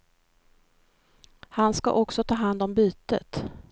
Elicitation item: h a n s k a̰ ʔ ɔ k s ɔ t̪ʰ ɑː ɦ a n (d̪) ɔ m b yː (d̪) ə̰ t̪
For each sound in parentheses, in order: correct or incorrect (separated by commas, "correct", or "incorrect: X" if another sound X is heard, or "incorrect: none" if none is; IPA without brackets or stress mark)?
correct, incorrect: t̪